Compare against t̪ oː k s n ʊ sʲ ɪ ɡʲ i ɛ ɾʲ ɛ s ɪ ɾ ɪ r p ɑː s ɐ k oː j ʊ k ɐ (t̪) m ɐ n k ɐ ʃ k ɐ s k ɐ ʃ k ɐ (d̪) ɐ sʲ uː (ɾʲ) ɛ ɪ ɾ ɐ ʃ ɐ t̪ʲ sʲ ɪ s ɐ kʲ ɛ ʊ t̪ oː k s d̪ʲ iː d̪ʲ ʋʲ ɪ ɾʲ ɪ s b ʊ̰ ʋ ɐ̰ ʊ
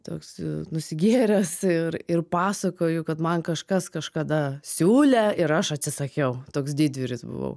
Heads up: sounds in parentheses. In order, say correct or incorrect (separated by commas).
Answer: correct, correct, incorrect